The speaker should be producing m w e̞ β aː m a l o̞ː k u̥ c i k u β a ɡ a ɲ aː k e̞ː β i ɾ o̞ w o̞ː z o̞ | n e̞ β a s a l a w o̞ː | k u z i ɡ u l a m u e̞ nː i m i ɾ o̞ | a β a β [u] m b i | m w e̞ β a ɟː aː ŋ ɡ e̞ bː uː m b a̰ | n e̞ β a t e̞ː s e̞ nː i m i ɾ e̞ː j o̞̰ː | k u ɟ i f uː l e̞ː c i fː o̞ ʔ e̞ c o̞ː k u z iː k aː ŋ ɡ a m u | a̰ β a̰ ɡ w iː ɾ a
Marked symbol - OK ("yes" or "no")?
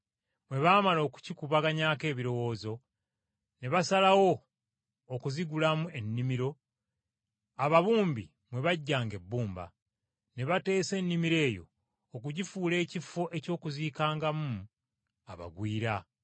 no